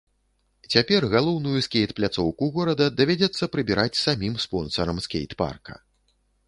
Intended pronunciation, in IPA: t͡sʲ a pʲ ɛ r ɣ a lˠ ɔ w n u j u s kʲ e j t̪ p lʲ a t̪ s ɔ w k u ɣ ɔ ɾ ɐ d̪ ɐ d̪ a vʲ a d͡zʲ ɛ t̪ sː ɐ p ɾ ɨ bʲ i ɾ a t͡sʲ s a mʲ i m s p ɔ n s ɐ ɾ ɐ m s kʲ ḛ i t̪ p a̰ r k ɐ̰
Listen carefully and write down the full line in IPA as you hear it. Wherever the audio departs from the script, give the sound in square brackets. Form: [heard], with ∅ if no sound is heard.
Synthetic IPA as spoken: t͡sʲ a pʲ ɛ r ɣ a lˠ ɔ w n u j u s kʲ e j t̪ p lʲ a t̪ s ɔ w k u ɣ ɔ ɾ ɐ d̪ ɐ d̪ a vʲ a d͡zʲ ɛ t̪ sː ɐ p ɾ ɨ bʲ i ɾ a t͡sʲ s a mʲ i m s p ɔ n s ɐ ɾ ɐ m s kʲ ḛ [j] t̪ p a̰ r k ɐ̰